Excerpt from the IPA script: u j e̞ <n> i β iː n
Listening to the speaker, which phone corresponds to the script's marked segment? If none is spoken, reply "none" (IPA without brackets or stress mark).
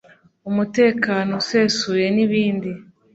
n